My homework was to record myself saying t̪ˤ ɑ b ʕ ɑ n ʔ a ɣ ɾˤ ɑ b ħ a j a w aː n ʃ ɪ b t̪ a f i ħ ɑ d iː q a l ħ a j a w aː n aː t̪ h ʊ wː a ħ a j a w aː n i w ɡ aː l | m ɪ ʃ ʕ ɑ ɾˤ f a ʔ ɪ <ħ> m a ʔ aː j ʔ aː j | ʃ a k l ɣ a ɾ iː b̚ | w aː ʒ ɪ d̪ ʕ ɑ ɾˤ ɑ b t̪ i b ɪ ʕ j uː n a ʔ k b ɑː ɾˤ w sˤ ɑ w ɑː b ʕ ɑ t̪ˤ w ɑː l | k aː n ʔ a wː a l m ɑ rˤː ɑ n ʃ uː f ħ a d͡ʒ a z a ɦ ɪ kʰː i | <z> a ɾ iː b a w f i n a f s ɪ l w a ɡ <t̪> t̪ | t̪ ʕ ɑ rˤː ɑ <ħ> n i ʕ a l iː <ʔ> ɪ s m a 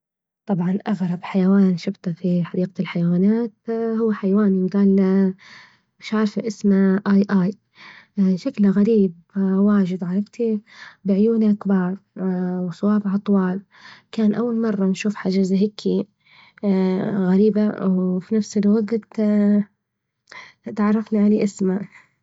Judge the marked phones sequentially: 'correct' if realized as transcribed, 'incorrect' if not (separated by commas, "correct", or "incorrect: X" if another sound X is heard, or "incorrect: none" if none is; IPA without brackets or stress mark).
incorrect: s, incorrect: ɣ, correct, incorrect: f, correct